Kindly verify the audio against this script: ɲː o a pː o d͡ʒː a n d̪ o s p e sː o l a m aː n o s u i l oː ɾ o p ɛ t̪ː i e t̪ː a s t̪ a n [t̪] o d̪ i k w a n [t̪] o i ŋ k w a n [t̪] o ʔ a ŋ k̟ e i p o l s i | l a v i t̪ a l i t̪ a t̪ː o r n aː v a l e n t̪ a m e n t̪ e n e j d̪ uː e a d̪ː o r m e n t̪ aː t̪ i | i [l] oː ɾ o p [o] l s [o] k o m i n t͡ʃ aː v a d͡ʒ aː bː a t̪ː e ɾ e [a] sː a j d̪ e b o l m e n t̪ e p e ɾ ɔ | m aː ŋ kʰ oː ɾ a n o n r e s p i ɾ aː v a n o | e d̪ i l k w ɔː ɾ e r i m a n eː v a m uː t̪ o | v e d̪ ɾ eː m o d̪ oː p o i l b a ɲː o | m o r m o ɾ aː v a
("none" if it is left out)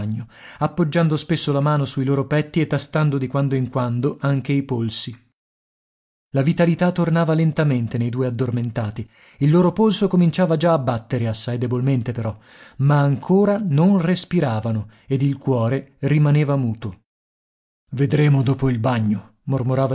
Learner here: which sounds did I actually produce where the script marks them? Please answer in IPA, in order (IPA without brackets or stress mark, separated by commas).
d̪, d̪, d̪, lː, o, o, a